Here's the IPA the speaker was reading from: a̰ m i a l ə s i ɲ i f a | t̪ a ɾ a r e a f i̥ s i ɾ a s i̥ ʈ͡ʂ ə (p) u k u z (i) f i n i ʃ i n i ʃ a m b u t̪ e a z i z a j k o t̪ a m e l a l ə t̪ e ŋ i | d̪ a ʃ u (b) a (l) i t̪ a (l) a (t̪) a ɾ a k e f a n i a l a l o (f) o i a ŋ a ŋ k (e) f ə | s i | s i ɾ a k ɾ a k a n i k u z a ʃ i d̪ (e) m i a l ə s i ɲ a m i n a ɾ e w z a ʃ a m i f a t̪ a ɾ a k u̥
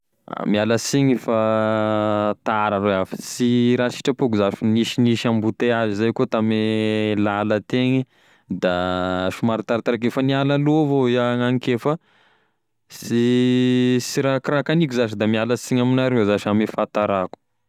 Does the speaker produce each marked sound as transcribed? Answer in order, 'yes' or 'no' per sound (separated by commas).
yes, no, no, no, no, yes, no, yes, no